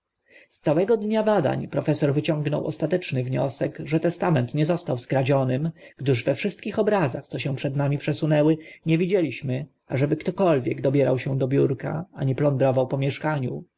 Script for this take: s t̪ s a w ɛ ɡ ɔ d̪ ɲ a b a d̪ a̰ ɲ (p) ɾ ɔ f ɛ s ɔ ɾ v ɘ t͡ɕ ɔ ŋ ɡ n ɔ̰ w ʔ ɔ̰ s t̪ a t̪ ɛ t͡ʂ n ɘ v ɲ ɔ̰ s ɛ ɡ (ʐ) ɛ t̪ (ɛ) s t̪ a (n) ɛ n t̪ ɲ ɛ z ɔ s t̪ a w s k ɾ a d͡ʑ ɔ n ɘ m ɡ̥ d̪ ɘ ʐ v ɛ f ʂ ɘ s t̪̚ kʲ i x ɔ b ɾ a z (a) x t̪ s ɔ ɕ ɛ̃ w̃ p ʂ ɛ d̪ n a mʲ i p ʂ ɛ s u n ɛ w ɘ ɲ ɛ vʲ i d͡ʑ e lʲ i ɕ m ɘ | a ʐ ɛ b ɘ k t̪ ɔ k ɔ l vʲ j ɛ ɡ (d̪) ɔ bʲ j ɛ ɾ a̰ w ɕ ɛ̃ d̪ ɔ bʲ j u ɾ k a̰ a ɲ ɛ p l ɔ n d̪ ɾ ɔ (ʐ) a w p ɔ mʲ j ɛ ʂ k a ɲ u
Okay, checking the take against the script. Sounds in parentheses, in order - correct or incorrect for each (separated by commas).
correct, correct, correct, incorrect, correct, correct, incorrect